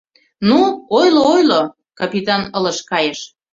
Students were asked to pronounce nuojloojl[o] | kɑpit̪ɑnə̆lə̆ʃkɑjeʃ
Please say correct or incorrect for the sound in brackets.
correct